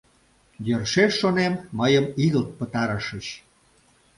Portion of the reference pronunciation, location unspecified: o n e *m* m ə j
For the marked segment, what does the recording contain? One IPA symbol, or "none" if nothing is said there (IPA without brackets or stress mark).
m